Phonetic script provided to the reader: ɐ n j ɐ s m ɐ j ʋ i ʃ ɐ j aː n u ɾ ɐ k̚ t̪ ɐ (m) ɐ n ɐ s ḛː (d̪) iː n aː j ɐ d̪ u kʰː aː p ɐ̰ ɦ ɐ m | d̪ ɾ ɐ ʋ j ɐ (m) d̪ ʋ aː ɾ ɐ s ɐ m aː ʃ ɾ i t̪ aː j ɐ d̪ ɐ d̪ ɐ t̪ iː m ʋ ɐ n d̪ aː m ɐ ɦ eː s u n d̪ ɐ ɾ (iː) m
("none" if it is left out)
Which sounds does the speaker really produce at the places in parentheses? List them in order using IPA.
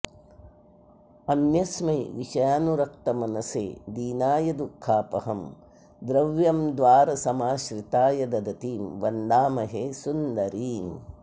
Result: m, d̪, m, iː

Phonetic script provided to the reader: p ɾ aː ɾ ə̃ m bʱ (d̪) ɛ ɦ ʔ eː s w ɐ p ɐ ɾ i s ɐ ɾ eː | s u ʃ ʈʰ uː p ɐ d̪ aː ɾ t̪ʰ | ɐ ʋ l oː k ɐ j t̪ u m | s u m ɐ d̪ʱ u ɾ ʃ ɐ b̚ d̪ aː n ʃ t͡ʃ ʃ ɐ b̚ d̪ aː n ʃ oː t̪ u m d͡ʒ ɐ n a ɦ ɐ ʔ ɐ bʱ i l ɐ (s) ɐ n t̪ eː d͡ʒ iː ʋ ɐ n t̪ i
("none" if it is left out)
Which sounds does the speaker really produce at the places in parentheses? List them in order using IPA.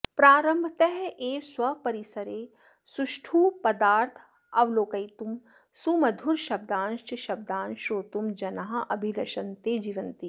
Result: t̪, ʃ

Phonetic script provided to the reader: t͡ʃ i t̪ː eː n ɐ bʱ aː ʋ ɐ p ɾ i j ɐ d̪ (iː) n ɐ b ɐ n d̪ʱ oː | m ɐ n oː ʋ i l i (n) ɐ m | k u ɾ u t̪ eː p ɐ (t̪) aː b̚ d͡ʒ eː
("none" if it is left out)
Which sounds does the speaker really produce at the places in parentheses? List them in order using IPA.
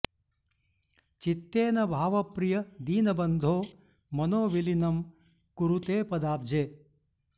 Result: iː, n, d̪

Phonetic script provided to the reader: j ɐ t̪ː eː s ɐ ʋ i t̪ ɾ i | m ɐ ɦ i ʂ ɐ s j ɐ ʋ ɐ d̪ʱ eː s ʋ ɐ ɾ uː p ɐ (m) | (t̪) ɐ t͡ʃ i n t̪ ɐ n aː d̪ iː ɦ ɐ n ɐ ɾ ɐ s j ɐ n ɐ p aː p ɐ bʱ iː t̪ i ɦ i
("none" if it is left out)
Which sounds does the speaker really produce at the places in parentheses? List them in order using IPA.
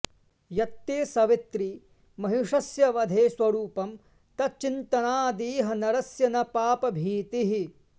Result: m, t̪

